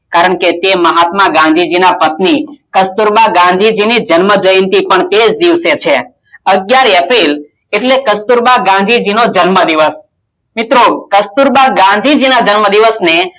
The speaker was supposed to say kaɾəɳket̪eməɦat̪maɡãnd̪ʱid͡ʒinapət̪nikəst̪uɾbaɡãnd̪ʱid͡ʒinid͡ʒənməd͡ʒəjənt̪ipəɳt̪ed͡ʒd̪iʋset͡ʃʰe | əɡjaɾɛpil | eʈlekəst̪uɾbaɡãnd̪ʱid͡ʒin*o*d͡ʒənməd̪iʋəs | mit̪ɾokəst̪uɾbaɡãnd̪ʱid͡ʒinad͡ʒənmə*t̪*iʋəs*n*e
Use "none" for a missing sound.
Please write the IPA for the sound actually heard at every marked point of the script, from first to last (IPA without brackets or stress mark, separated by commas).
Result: o, d̪, n